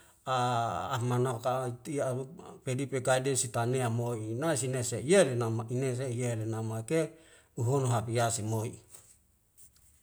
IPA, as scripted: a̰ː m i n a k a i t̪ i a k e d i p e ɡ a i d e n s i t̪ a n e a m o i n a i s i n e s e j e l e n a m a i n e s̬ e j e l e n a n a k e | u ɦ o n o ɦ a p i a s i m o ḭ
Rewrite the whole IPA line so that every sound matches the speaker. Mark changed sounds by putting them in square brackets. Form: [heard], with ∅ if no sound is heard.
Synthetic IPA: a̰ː m [a] n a k a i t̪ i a [p] e d i p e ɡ a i d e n s i t̪ a n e a m o i n a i s i n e s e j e l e n a m a i n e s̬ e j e l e n a [m] a k e | u ɦ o n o ɦ a p i a s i m o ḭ